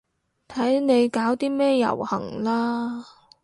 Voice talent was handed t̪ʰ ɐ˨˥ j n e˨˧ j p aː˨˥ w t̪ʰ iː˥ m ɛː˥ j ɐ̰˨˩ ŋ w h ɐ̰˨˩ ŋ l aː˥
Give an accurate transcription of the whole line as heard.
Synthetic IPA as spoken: t̪ʰ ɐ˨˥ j n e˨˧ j k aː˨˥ w t̪ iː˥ m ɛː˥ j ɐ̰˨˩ w h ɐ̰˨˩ ŋ l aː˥